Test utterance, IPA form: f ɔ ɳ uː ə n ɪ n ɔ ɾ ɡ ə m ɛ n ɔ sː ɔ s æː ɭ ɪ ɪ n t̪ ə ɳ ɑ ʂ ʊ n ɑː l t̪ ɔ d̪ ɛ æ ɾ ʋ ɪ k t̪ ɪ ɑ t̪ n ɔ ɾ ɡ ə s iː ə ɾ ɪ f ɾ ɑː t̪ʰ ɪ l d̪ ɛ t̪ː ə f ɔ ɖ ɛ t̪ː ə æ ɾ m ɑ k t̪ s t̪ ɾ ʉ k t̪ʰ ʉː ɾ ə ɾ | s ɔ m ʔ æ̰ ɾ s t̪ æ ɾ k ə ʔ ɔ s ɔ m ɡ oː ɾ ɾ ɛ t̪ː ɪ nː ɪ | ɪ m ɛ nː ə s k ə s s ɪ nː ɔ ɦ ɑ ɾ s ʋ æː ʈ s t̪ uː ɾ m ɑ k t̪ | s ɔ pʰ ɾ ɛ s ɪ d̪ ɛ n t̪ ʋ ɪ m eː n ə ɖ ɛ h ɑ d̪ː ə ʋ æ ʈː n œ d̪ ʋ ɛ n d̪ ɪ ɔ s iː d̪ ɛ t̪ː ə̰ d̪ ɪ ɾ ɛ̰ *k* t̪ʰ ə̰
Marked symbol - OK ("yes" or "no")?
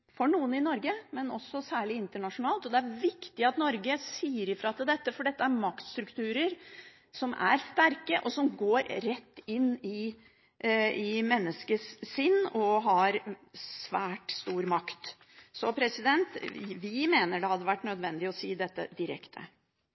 yes